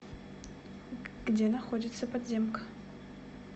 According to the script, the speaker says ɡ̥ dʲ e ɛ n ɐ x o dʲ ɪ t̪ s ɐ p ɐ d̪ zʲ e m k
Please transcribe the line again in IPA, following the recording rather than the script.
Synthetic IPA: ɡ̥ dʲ e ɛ n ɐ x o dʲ ɪ t̪ s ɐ p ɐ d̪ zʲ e m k